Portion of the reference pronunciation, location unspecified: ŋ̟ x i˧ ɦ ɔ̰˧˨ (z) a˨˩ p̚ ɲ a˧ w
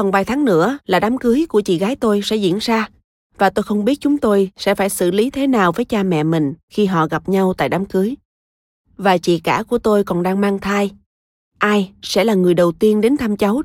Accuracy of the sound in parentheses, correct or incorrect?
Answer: incorrect